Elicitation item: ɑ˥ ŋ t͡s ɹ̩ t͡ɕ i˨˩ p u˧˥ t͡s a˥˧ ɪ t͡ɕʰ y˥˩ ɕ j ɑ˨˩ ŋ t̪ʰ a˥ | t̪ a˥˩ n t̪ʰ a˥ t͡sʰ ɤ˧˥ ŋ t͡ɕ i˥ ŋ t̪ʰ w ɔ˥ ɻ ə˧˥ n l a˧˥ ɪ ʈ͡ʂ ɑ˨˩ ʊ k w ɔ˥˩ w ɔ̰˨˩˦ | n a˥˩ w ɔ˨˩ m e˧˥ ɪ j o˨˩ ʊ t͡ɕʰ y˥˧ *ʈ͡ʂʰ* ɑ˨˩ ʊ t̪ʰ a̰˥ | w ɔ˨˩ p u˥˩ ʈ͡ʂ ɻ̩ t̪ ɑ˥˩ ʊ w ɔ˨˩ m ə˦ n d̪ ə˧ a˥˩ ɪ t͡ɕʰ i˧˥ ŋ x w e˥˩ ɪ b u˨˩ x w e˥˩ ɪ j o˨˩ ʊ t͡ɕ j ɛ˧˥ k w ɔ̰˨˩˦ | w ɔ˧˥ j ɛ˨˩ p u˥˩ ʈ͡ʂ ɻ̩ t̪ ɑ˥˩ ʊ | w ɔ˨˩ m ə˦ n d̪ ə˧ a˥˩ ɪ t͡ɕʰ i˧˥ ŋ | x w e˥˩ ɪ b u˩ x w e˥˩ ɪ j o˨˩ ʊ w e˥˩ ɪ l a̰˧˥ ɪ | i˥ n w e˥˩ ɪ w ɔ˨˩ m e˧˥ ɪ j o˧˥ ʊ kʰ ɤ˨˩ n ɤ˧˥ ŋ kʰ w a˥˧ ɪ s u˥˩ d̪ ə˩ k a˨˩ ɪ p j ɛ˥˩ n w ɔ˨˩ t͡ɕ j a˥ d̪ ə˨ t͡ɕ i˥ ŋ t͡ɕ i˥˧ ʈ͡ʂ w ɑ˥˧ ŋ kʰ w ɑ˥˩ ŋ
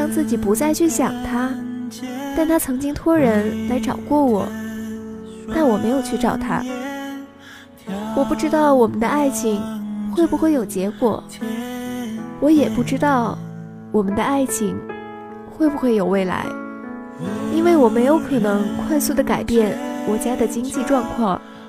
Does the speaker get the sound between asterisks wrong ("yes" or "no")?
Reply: yes